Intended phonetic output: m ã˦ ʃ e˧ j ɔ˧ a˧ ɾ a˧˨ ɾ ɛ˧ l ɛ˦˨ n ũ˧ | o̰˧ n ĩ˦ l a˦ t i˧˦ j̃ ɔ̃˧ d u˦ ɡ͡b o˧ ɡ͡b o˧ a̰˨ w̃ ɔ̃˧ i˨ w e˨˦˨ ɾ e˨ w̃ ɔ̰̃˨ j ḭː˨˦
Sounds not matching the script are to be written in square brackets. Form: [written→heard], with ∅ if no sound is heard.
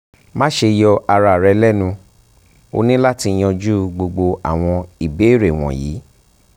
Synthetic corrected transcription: m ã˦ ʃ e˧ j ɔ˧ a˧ ɾ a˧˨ ɾ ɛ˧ l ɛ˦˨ n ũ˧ | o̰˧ n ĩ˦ l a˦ t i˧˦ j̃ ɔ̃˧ [d→d͡ʒ] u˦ ɡ͡b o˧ ɡ͡b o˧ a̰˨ w̃ ɔ̃˧ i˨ [w→b] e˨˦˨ ɾ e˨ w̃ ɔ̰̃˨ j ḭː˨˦